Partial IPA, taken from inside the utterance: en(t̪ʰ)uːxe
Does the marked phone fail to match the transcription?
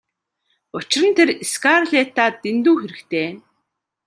yes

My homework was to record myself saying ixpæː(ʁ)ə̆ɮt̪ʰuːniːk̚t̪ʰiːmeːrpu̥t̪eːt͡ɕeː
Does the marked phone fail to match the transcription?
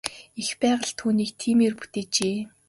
no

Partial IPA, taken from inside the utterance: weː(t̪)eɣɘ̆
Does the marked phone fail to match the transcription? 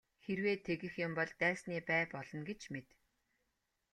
yes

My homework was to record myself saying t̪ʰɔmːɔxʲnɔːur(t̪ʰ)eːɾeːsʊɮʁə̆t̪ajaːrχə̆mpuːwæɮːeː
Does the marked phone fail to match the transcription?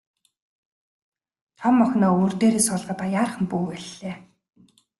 yes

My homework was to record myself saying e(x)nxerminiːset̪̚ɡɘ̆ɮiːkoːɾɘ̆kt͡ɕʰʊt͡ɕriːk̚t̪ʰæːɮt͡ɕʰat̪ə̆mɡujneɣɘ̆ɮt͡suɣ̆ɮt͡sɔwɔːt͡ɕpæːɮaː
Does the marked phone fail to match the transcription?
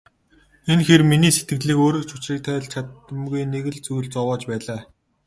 yes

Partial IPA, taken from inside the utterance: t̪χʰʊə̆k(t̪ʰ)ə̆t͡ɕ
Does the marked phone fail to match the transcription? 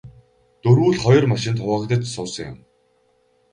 yes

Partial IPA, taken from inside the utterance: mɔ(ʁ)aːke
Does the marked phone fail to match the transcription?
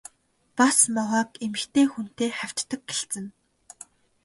no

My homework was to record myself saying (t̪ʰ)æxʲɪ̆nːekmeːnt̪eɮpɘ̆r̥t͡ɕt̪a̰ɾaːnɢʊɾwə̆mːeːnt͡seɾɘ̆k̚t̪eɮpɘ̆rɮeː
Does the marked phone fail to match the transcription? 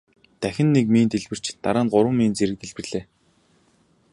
yes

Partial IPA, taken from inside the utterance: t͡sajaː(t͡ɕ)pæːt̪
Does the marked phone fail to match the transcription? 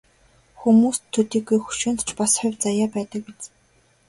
yes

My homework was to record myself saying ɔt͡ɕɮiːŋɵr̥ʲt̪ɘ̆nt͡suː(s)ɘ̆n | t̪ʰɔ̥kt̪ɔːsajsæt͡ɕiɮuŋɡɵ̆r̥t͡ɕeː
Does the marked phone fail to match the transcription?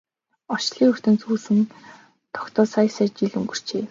no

